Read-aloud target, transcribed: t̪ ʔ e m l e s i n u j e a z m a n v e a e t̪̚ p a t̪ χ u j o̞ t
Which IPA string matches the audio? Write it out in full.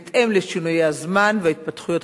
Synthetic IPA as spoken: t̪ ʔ e m l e ʃ i n u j e a z m a n v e a i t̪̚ p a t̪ χ u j o̞ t